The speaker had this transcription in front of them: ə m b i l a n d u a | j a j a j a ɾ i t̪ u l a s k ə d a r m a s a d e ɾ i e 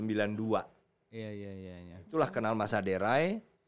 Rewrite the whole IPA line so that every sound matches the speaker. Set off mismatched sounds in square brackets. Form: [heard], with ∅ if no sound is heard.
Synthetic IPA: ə m b i l a n d u a | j a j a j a [∅] i t̪ u l a [h] k ə [n] a [l] m a s a d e ɾ [a] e